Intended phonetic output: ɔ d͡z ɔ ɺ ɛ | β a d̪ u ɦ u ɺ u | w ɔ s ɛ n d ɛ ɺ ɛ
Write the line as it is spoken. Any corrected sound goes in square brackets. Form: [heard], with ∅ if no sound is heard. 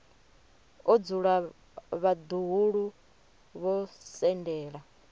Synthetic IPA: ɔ d͡z [u] ɺ [a] | β a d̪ u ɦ u ɺ u | [β] ɔ s ɛ n d [ɛː] ɺ [a]